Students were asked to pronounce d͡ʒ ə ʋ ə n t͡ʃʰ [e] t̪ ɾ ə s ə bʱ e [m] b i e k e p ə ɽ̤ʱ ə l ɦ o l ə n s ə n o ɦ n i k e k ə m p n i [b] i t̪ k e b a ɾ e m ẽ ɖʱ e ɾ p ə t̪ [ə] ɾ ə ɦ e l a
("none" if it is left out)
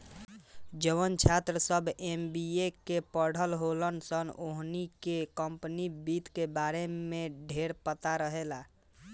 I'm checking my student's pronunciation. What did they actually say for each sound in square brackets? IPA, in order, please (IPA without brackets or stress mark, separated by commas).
a, m, b, a